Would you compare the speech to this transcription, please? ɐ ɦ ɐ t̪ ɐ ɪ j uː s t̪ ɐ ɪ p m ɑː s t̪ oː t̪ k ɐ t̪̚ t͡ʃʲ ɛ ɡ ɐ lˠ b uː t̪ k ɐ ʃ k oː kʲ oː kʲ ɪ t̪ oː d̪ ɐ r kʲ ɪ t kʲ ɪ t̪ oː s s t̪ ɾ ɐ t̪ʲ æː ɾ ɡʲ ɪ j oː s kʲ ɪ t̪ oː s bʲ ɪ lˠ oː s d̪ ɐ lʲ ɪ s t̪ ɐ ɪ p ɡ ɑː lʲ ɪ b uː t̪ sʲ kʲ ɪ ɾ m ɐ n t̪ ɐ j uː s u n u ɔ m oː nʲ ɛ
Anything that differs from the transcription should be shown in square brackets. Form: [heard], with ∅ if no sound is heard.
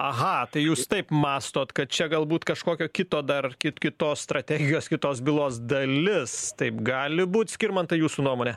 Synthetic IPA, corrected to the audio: ɐ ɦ ɐ t̪ ɐ ɪ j uː s t̪ ɐ ɪ p m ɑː s t̪ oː t̪ k ɐ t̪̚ t͡ʃʲ ɛ ɡ ɐ lˠ b uː t̪ k ɐ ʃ k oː kʲ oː kʲ ɪ t̪ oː d̪ ɐ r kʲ ɪ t kʲ ɪ t̪ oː s s t̪ ɾ ɐ t̪ʲ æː [∅] ɡʲ ɪ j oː s kʲ ɪ t̪ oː s bʲ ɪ lˠ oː s d̪ ɐ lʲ ɪ s t̪ ɐ ɪ p ɡ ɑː lʲ ɪ b uː t̪ sʲ kʲ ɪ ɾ m ɐ n t̪ ɐ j uː s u n u ɔ m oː nʲ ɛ